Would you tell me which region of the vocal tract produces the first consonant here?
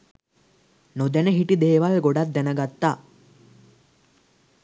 tongue tip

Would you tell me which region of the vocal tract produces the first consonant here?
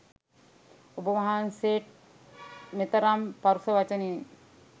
lips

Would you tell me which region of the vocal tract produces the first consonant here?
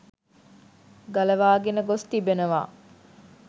velum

